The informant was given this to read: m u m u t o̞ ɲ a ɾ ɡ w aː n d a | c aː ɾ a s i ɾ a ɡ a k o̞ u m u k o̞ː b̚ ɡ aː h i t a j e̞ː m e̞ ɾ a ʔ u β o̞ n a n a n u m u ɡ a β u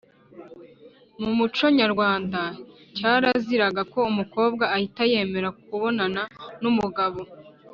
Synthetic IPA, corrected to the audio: m u m u t͡ʃ o̞ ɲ a ɾ ɡ w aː n d a | c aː ɾ a z i ɾ a ɡ a k o̞ u m u k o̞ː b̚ ɡ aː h i t a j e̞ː m e̞ ɾ a k u β o̞ n a n a n u m u ɡ a β o